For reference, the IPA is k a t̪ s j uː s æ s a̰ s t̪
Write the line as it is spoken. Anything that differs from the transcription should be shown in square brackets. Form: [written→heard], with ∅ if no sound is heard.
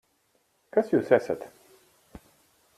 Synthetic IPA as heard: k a [t̪→∅] s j uː s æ s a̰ [s→∅] t̪